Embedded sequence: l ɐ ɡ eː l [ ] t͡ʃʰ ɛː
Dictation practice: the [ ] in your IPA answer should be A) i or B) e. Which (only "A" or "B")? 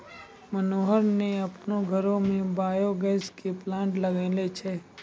B